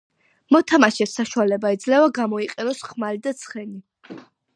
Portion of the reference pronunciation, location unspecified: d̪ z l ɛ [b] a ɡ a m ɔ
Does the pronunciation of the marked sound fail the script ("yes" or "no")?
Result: yes